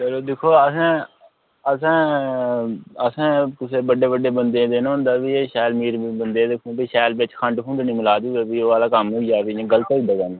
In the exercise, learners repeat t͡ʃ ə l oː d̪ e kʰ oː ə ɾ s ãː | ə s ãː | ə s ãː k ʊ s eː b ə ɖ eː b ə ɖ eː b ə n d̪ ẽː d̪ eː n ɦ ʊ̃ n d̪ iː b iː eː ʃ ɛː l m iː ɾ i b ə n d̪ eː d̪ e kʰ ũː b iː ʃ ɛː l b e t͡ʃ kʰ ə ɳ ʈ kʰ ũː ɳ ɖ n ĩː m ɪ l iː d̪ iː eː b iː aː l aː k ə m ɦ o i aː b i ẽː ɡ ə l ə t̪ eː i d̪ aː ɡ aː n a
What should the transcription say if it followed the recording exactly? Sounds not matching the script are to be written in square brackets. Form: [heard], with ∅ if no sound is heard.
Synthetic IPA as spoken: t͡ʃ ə l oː d̪ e kʰ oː ə [∅] s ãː | ə s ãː | ə s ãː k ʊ s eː b ə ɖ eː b ə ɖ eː b ə n d̪ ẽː d̪ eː n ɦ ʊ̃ n d̪ [aː] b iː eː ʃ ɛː l m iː ɾ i b ə n d̪ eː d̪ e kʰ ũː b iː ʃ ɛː l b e t͡ʃ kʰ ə ɳ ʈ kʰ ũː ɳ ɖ n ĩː m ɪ l [aː] d̪ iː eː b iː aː l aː k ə m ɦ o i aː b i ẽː ɡ ə l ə t̪ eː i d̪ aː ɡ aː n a